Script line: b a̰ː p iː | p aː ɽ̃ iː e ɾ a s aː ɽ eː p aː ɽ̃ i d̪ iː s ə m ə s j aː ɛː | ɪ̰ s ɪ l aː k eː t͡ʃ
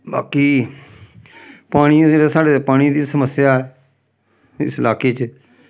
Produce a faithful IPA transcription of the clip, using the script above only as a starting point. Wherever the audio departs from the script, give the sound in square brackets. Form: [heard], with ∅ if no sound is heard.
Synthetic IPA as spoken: b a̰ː [k] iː | p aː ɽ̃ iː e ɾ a s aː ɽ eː p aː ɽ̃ i d̪ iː s ə m ə s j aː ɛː | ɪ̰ s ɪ l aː k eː t͡ʃ